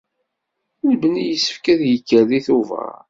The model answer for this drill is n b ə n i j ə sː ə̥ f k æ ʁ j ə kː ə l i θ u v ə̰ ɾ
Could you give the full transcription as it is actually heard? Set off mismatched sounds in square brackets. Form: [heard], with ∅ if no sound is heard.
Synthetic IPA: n b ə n i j ə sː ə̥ f k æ [ð] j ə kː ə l i θ u v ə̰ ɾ